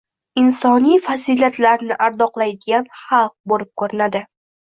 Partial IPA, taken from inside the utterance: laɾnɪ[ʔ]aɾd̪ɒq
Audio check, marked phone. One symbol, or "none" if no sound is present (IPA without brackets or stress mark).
ʔ